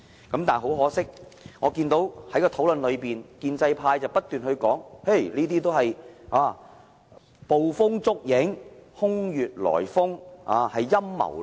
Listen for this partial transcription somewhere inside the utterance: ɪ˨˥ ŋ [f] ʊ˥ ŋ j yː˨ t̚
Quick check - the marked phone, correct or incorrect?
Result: incorrect: h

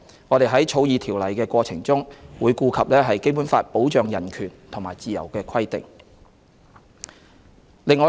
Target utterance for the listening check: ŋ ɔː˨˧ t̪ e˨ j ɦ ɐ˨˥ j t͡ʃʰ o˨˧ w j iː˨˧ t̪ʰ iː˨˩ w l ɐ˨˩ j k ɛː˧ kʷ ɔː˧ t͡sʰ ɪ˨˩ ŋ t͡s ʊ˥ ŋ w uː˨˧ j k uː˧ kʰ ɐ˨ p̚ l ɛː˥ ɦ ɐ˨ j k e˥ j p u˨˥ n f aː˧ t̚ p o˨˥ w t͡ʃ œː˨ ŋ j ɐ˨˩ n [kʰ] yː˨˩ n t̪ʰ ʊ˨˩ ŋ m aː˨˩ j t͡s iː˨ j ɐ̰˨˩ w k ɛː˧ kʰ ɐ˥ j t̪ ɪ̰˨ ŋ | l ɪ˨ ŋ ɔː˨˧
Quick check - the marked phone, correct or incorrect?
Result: correct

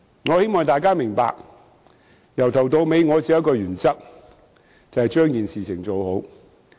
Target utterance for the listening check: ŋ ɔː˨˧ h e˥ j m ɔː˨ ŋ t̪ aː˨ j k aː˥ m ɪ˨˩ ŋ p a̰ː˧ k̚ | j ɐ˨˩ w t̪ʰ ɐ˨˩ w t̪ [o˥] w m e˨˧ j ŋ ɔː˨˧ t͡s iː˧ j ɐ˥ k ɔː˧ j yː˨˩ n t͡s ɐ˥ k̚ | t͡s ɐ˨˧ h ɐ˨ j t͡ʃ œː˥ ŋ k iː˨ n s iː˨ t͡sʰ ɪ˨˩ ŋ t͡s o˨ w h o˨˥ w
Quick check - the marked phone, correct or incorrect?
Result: incorrect: o˧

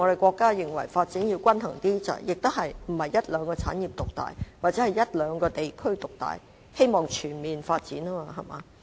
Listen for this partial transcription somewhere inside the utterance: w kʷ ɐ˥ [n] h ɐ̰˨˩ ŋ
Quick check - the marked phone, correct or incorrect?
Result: correct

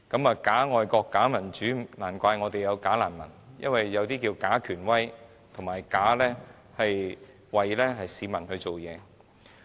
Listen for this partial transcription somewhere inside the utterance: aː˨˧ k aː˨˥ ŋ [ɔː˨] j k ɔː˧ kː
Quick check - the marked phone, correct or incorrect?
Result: correct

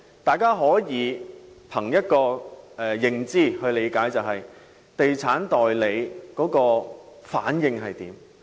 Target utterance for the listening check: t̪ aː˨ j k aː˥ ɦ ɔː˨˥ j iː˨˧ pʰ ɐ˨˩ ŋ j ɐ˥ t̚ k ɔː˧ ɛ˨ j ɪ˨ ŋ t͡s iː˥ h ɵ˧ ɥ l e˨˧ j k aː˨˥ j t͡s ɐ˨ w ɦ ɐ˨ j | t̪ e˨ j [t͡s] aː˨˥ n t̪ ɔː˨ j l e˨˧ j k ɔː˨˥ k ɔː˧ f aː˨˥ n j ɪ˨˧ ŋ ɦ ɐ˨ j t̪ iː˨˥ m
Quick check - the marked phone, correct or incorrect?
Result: incorrect: t͡sʰ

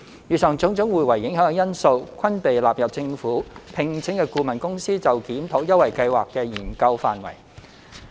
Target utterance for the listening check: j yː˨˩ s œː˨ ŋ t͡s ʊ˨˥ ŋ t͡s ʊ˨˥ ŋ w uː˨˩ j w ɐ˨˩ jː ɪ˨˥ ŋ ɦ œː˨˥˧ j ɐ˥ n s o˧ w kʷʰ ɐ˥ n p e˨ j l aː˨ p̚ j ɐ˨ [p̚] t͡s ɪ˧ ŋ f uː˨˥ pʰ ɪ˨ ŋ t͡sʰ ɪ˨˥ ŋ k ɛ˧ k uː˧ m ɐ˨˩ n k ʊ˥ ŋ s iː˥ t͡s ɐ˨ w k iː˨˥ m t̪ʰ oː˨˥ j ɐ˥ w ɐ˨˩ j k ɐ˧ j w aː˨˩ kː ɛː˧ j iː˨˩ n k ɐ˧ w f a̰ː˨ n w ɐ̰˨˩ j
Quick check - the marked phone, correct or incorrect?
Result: correct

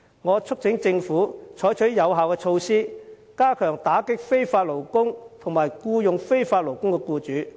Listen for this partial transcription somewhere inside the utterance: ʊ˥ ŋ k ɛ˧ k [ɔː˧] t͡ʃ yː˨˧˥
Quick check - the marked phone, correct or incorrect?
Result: incorrect: uː˧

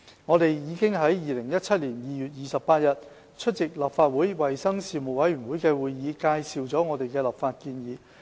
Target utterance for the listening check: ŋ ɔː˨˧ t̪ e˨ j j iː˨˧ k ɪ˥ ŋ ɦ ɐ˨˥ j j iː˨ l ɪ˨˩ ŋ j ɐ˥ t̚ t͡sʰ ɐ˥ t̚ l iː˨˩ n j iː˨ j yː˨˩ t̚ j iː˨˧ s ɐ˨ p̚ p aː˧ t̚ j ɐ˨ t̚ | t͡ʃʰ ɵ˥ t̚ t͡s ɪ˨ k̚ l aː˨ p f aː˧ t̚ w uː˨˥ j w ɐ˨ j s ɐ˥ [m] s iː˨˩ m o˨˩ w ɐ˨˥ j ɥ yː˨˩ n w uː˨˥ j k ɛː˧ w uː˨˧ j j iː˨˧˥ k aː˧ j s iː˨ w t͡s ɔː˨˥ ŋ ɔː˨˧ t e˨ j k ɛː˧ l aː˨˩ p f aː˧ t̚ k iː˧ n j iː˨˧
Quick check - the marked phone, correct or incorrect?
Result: incorrect: ŋ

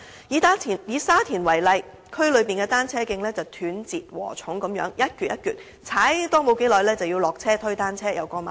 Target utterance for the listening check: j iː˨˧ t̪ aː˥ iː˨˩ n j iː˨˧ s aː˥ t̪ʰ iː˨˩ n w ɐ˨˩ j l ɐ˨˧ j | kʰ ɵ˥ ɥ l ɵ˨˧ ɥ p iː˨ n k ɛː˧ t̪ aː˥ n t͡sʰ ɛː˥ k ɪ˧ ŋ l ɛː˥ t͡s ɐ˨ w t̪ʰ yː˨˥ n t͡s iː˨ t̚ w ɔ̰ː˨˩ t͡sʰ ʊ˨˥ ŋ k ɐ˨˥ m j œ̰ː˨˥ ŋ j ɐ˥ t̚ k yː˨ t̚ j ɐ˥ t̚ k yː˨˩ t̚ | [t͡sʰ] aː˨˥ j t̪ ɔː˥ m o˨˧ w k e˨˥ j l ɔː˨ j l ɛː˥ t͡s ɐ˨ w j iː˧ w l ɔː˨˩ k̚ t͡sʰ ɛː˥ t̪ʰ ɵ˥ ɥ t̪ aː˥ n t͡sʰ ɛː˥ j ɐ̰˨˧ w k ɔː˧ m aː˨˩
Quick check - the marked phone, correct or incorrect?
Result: correct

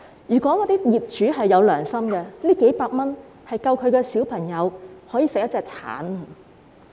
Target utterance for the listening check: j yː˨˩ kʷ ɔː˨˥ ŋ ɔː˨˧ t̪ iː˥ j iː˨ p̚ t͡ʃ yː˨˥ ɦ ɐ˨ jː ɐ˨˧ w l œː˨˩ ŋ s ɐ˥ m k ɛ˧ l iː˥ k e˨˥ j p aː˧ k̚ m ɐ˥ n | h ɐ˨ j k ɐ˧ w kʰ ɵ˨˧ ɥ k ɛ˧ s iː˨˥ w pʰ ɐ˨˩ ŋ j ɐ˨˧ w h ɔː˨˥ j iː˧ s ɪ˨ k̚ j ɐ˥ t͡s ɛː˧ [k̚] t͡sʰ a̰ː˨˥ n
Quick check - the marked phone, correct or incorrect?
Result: correct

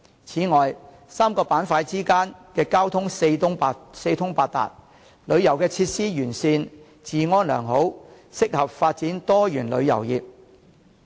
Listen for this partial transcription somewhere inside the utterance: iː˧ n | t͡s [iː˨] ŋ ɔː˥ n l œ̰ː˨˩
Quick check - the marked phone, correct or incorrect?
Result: correct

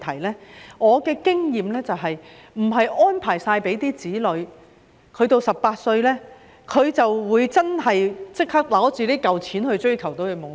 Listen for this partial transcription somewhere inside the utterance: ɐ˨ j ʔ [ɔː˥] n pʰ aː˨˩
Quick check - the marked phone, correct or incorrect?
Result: correct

